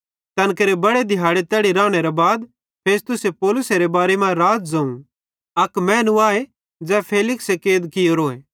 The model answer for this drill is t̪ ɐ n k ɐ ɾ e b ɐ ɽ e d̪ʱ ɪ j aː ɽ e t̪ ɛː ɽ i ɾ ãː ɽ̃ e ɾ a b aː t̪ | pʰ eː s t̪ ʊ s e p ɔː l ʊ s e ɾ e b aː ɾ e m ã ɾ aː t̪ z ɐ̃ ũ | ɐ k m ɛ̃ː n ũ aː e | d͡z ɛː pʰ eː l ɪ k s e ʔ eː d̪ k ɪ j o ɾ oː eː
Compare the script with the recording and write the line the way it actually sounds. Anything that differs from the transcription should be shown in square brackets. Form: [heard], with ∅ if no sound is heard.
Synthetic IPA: t̪ ɐ n k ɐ ɾ e b ɐ ɽ e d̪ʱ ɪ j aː ɽ e t̪ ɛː ɽ i ɾ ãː ɽ̃ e ɾ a b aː [d̪] | pʰ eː s t̪ ʊ s e p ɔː l ʊ s e ɾ e b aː ɾ e m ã ɾ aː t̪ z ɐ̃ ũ | ɐ k m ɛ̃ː n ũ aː e | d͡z ɛː pʰ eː l ɪ k s e [k] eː d̪ k ɪ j o ɾ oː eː

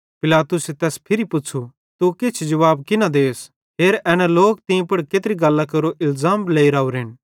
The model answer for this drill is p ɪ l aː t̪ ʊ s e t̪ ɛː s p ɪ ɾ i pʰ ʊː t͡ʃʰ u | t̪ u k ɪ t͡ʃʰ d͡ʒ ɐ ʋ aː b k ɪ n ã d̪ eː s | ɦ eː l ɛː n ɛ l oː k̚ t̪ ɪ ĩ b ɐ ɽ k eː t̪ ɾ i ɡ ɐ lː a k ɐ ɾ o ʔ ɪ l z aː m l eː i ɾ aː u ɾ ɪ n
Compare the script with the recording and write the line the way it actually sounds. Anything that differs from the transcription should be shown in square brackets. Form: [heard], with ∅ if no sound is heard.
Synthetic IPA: p ɪ l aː t̪ ʊ s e t̪ ɛː s [pʰ] ɪ ɾ i [p] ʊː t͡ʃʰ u | t̪ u k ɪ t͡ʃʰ d͡ʒ ɐ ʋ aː b k ɪ n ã d̪ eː s | ɦ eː [ɾ] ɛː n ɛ l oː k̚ t̪ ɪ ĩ [p] ɐ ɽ k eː t̪ ɾ i ɡ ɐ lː a k ɐ ɾ o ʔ ɪ l z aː m l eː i ɾ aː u ɾ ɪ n

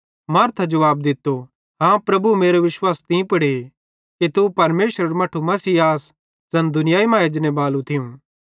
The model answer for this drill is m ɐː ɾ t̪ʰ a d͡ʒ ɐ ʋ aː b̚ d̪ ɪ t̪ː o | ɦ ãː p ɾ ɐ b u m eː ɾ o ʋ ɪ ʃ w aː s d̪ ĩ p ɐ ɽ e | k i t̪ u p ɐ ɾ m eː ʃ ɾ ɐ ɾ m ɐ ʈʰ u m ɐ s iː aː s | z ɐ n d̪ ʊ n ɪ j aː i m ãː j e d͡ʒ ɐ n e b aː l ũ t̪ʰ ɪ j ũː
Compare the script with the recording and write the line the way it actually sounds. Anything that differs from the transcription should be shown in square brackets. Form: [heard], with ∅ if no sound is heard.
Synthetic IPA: m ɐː ɾ t̪ʰ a d͡ʒ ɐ ʋ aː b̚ d̪ ɪ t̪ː o | ɦ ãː p ɾ ɐ b u m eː ɾ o ʋ ɪ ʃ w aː s [t̪] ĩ p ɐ ɽ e | k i t̪ u p ɐ ɾ m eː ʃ ɾ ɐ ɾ m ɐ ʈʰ u m ɐ s iː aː s | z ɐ n d̪ ʊ n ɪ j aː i m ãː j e d͡ʒ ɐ n e b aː l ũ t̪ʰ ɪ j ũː

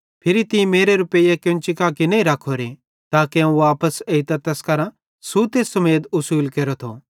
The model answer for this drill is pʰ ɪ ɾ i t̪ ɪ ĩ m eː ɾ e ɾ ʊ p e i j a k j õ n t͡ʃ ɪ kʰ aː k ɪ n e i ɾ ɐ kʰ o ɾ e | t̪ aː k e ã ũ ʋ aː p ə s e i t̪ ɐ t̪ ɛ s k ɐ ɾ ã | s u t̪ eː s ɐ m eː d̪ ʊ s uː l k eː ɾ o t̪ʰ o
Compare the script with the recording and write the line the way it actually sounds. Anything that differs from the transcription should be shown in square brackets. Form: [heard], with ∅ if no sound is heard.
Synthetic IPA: pʰ ɪ ɾ i t̪ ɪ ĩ m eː ɾ e ɾ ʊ p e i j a k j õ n t͡ʃ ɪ [k] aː k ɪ n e i ɾ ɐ kʰ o ɾ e | t̪ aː k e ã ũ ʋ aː p ə s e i t̪ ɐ t̪ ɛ s k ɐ ɾ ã | s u t̪ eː s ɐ m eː d̪ ʊ s uː l k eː ɾ o t̪ʰ o

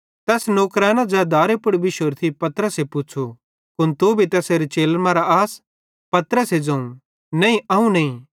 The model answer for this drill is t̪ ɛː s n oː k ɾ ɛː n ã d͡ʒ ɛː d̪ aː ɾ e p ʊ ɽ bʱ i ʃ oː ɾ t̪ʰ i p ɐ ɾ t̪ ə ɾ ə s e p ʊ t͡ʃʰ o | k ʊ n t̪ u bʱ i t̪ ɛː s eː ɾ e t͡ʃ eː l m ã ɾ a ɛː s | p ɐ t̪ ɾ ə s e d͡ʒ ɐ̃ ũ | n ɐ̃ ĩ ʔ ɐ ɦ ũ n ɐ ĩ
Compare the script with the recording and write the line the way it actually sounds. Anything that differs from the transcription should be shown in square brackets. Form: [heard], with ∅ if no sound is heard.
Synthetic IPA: t̪ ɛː s n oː k ɾ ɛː n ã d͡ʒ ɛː d̪ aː ɾ e p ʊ ɽ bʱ i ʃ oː ɾ t̪ʰ i p ɐ [∅] t̪ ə ɾ ə s e p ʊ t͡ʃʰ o | k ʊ n t̪ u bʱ i t̪ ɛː s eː ɾ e t͡ʃ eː l m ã ɾ a [aː] s | p ɐ t̪ ɾ ə s e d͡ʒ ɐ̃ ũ | n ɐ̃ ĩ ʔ ɐ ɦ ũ n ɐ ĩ

